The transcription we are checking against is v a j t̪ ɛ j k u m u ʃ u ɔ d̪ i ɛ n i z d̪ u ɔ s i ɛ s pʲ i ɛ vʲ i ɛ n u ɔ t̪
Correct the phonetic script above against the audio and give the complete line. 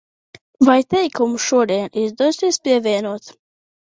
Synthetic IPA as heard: v a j t̪ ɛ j k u m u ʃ u ɔ d̪ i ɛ n i z d̪ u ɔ s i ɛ s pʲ i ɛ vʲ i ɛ n u ɔ t̪